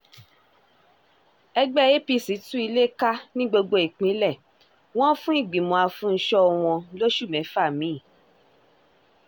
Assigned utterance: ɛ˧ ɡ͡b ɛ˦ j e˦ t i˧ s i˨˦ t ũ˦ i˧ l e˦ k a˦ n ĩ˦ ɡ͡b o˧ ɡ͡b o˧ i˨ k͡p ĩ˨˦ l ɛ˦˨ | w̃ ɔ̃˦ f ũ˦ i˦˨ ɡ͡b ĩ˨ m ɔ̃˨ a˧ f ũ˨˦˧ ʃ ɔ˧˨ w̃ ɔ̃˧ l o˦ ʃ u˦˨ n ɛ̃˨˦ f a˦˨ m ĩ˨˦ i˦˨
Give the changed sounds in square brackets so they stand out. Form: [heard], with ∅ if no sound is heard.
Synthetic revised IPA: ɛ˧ ɡ͡b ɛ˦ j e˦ [p] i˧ s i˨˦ t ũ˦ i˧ l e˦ k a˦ n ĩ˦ ɡ͡b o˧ ɡ͡b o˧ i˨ k͡p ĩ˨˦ l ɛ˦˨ | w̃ ɔ̃˦ f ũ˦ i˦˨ ɡ͡b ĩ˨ m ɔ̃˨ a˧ f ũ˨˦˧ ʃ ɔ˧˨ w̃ ɔ̃˧ l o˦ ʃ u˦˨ [m] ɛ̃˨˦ f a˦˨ m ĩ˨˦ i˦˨